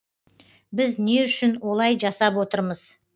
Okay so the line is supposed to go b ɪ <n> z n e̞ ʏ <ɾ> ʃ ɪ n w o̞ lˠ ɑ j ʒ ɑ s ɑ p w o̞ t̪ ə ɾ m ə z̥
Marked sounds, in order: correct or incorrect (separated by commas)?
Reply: incorrect, incorrect